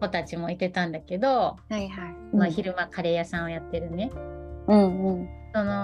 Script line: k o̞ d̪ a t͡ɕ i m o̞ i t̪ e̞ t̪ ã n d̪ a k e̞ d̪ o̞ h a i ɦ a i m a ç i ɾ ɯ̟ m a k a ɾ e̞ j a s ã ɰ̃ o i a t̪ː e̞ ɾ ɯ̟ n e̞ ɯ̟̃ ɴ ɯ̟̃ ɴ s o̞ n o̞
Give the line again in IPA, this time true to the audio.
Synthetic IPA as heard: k o̞ t̪ a t͡ɕ i m o̞ i t̪ e̞ t̪ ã n d̪ a k e̞ d̪ o̞ h a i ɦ a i m a ç i ɾ ɯ̟ m a k a ɾ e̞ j a s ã ɰ̃ o j a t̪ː e̞ ɾ ɯ̟ n e̞ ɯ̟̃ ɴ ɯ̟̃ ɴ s o̞ n o̞